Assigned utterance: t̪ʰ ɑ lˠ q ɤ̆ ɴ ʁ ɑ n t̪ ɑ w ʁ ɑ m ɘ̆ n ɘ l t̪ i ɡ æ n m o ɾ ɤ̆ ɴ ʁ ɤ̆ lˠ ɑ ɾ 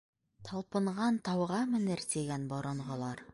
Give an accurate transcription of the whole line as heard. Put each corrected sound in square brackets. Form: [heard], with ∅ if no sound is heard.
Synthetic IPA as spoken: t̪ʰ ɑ lˠ [p] ɤ̆ ɴ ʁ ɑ n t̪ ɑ w ʁ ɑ m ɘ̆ n ɘ [ɾ] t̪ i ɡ æ n [b] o ɾ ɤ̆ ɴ ʁ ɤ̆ lˠ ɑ ɾ